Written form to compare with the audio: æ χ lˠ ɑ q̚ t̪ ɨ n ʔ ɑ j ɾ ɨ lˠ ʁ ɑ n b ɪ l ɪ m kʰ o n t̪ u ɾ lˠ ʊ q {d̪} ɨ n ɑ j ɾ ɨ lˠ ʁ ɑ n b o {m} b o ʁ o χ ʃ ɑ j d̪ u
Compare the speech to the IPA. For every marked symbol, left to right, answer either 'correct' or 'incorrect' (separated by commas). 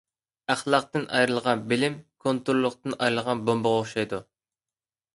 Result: incorrect, correct